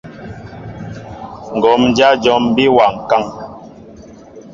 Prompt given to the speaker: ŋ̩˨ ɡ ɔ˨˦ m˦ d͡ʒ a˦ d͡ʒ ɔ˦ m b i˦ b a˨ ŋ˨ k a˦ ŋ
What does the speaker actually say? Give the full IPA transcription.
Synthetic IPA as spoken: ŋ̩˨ ɡ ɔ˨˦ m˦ d͡ʒ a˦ d͡ʒ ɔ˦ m b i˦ w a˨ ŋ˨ k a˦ ŋ